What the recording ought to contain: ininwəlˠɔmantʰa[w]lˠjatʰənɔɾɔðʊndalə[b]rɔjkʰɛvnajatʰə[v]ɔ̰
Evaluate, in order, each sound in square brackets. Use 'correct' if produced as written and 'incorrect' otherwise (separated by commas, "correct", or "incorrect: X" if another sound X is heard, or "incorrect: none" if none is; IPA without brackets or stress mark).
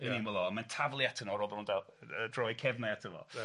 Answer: incorrect: v, incorrect: d, correct